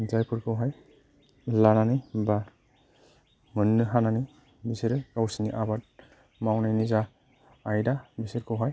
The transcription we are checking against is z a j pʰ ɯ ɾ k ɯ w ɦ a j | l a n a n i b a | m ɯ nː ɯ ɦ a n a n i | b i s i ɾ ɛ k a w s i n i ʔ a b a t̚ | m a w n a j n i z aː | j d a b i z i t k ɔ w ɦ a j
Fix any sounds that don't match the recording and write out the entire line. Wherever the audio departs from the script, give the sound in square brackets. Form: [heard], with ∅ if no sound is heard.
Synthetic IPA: z a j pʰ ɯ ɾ k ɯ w ɦ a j | l a n a n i b a | m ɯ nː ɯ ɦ a n a n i | b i s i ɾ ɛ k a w s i n i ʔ a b a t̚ | m a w n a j n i z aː | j d a b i [s] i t k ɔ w ɦ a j

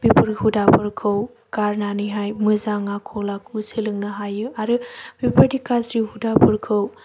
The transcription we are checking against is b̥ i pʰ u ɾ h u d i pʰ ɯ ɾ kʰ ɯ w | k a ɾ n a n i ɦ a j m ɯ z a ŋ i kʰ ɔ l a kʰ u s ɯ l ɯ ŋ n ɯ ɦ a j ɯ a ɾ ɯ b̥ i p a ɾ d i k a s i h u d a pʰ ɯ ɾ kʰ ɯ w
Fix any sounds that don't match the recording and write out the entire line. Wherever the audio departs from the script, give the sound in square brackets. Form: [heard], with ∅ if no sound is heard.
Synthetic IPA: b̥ i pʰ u ɾ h u d [a] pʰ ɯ ɾ kʰ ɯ w | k a ɾ n a n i ɦ a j m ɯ z a ŋ [a] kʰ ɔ l a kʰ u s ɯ l ɯ ŋ n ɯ ɦ a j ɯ a ɾ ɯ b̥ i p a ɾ d i k a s i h u d a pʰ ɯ ɾ kʰ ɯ w

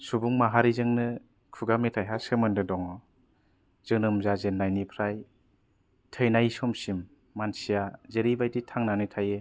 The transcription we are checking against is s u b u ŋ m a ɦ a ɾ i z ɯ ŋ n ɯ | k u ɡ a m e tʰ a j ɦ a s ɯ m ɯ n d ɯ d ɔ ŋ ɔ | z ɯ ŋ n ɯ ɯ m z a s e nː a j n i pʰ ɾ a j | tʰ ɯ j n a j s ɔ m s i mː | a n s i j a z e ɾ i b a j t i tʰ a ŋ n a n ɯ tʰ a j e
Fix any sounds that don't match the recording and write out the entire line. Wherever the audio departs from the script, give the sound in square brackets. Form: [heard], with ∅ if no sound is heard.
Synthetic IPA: s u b u ŋ m a ɦ a ɾ i z ɯ ŋ n ɯ | [kʰ] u ɡ a m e tʰ a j ɦ a s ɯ m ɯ n d ɯ d ɔ ŋ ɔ | z ɯ ŋ n ɯ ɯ m z a [z] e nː a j n i pʰ ɾ a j | tʰ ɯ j n a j s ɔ m s i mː | a n s i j a z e ɾ i b a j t i tʰ a ŋ n a n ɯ tʰ a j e

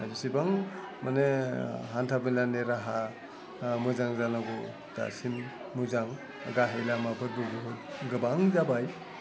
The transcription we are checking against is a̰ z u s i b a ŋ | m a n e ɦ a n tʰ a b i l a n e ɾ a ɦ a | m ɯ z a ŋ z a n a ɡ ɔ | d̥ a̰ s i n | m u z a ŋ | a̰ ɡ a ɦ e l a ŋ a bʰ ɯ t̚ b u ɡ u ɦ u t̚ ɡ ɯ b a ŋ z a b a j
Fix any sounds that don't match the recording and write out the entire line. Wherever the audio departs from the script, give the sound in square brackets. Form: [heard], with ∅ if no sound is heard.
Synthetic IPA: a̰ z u s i b a ŋ | m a n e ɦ a n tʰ a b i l a n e ɾ a ɦ a | m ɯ z a ŋ z a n a ɡ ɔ | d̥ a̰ s i n | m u z a ŋ | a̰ ɡ a ɦ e l a [m] a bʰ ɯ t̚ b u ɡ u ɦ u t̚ ɡ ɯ b a ŋ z a b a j

